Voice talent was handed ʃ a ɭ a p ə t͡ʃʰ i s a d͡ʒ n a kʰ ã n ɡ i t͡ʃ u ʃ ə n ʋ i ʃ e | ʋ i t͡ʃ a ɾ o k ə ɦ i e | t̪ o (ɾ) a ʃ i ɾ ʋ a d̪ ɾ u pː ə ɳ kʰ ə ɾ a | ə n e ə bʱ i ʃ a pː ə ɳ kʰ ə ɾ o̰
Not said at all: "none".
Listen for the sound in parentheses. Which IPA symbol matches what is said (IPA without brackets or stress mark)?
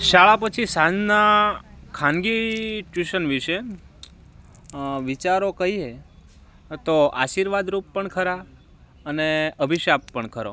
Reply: none